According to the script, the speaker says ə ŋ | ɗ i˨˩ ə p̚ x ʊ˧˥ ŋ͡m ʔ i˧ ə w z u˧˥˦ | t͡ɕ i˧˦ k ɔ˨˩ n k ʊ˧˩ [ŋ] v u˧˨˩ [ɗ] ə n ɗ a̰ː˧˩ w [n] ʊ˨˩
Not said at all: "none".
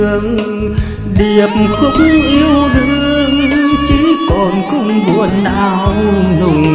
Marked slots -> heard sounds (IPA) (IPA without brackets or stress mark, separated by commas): ŋ͡m, none, n